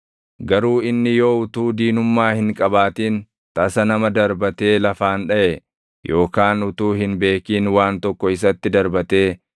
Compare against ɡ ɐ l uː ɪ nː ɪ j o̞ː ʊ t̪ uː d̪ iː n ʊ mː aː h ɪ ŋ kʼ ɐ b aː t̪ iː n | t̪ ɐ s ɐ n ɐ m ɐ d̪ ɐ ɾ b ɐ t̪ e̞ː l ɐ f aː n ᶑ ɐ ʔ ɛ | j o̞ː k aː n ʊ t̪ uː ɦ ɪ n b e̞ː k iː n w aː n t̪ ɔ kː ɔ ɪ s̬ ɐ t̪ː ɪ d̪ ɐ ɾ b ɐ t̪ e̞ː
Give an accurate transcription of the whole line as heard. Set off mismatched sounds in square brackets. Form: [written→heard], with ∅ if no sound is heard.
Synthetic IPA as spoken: ɡ ɐ [l→ɾ] uː ɪ nː ɪ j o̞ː ʊ t̪ uː d̪ iː n ʊ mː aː h ɪ ŋ kʼ ɐ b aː t̪ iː n | t̪ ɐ s ɐ n ɐ m ɐ d̪ ɐ ɾ b ɐ t̪ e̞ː l ɐ f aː n ᶑ ɐ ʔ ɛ | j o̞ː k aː n ʊ t̪ uː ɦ ɪ n b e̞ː k iː n w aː n t̪ ɔ kː ɔ ɪ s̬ ɐ t̪ː ɪ d̪ ɐ ɾ b ɐ t̪ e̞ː

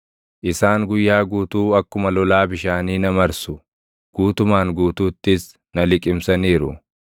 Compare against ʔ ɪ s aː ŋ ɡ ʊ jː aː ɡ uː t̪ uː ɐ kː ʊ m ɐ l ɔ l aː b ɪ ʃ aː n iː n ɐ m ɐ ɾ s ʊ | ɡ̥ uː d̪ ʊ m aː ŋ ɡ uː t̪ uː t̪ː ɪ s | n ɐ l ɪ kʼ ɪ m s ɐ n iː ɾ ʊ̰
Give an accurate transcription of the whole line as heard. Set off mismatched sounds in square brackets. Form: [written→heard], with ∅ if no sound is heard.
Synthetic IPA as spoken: ʔ ɪ s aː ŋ ɡ ʊ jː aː ɡ uː t̪ uː ɐ kː ʊ m ɐ l ɔ l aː b ɪ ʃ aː n iː n ɐ m ɐ ɾ s ʊ | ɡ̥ uː [d̪→t̪] ʊ m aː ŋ ɡ uː t̪ uː t̪ː ɪ s | n ɐ l ɪ kʼ ɪ m s ɐ n iː ɾ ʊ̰

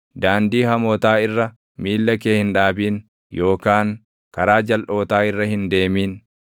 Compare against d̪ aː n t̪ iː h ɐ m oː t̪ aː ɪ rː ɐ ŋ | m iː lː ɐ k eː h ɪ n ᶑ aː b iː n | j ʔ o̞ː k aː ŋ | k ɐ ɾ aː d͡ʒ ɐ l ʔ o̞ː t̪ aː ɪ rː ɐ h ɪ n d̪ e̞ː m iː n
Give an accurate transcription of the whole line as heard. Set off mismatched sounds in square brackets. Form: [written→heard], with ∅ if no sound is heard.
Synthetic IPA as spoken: d̪ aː n [t̪→d̪] iː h ɐ m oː t̪ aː ɪ rː ɐ [ŋ→∅] | m iː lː ɐ k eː h ɪ n ᶑ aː b iː n | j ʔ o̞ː k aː ŋ | k ɐ ɾ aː d͡ʒ ɐ l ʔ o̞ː t̪ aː ɪ rː ɐ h ɪ n d̪ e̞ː m iː n

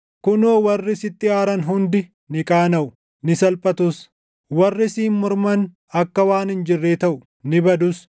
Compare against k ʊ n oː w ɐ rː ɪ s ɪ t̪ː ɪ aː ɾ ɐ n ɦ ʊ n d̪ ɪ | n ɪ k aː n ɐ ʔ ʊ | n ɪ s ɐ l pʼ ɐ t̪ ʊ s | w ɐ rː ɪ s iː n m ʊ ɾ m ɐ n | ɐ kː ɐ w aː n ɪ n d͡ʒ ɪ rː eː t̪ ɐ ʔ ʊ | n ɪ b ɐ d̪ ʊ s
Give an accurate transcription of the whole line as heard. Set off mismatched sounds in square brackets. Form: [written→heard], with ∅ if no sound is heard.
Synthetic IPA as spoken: k ʊ n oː w ɐ rː ɪ s ɪ t̪ː ɪ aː ɾ ɐ n ɦ ʊ n d̪ ɪ | n ɪ [k→kʼ] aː n ɐ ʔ ʊ | n ɪ s ɐ l pʼ ɐ t̪ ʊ s | w ɐ rː ɪ s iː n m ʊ ɾ m ɐ n | ɐ kː ɐ w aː n ɪ n d͡ʒ ɪ rː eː t̪ ɐ ʔ ʊ | n ɪ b ɐ d̪ ʊ s

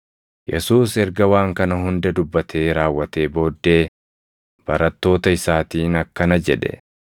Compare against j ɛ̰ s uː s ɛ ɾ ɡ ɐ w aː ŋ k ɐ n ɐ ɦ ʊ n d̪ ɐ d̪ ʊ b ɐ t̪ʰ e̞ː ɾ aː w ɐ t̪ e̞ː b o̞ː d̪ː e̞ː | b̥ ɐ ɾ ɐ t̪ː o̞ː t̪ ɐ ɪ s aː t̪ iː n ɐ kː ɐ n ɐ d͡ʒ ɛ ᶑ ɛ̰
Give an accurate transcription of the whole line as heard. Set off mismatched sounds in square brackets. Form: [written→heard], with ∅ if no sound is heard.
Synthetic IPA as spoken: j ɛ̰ s uː s ɛ ɾ ɡ ɐ w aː ŋ k ɐ n ɐ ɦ ʊ n d̪ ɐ d̪ ʊ [b→bː] ɐ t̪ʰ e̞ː ɾ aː [w→wː] ɐ t̪ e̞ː b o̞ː d̪ː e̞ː | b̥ ɐ ɾ ɐ t̪ː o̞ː t̪ ɐ ɪ s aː t̪ iː n ɐ kː ɐ n ɐ d͡ʒ ɛ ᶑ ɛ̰

